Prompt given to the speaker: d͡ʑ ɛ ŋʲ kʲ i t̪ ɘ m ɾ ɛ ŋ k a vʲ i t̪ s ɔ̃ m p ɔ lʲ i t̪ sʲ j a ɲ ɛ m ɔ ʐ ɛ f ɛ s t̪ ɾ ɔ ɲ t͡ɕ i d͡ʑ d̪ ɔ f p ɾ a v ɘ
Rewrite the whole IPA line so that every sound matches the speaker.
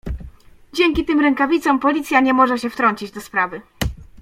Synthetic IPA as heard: d͡ʑ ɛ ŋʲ kʲ i t̪ ɘ m ɾ ɛ ŋ k a vʲ i t̪ s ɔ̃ m p ɔ lʲ i t̪ sʲ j a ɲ ɛ m ɔ ʐ ɛ ɕ ɛ f t̪ ɾ ɔ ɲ t͡ɕ i d͡ʑ d̪ ɔ s p ɾ a v ɘ

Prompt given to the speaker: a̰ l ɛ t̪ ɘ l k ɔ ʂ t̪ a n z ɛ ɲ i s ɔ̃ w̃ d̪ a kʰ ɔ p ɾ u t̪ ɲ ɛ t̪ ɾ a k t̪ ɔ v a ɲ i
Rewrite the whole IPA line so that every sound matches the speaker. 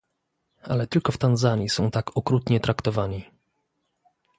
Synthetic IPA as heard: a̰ l ɛ t̪ ɘ l k ɔ f t̪ a n z a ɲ i s ɔ̃ w̃ t̪ a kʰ ɔ k ɾ u t̪ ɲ ɛ t̪ ɾ a k t̪ ɔ v a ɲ i

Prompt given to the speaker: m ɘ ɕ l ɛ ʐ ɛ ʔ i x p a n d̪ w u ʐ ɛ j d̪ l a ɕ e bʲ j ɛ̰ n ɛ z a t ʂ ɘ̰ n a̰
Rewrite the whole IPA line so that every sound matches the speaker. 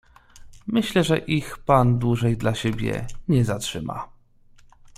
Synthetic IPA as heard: m ɘ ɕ l ɛ ʐ ɛ ʔ i x p a n d̪ w u ʐ ɛ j d̪ l a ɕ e bʲ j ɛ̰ ɲ ɛ z a t ʂ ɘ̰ m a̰

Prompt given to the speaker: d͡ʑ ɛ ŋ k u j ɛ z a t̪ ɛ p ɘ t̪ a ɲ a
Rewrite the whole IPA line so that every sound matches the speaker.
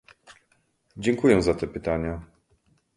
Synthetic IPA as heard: d͡ʑ ɛ ŋ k u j ɛ z a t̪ ɛ p ɘ t̪ a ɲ a

